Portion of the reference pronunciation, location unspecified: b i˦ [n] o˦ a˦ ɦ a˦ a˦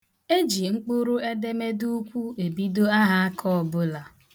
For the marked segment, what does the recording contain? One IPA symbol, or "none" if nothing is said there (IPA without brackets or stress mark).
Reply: d